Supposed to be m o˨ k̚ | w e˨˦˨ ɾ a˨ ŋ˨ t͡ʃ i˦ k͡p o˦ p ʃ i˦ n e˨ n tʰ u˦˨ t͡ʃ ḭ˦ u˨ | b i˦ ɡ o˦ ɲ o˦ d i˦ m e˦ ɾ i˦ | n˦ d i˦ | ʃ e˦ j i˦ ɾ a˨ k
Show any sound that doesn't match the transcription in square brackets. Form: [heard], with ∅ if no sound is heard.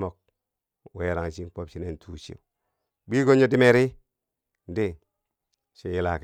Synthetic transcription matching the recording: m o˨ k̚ | w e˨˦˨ ɾ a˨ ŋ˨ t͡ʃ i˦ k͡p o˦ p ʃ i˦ n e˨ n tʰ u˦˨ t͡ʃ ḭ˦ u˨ | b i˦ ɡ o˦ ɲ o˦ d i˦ m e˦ ɾ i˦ | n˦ d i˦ | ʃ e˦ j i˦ [l] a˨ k